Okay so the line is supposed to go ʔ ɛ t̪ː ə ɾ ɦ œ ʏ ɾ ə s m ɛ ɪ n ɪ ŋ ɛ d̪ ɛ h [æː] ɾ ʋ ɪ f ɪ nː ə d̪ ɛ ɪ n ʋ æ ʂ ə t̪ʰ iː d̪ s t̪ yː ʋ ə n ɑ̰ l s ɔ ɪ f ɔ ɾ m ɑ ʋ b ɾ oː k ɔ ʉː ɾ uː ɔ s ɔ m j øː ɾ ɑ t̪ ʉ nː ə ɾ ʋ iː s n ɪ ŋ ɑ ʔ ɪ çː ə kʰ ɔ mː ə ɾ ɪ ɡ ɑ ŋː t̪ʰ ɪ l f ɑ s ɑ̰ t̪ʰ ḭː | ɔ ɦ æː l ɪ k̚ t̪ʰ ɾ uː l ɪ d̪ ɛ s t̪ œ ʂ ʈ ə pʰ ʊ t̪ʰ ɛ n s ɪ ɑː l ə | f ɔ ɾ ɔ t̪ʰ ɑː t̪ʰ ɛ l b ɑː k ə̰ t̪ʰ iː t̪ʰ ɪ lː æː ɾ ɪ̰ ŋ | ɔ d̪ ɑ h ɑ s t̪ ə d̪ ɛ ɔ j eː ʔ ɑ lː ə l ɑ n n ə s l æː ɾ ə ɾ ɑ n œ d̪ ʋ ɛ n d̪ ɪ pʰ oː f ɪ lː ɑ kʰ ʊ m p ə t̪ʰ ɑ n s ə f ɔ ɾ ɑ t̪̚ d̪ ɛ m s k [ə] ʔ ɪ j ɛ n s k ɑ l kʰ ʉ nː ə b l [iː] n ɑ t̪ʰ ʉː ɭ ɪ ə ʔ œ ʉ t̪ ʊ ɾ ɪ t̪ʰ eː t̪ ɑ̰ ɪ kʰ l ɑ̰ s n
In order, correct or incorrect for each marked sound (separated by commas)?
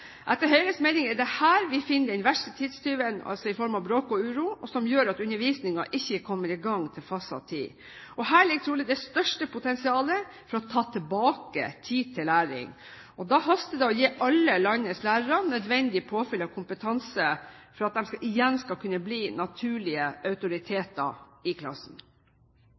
correct, incorrect, correct